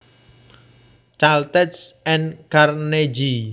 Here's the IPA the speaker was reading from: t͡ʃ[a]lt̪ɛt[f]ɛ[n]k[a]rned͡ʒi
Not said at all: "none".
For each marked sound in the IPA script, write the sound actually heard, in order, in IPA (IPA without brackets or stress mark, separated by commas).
a, s, n, a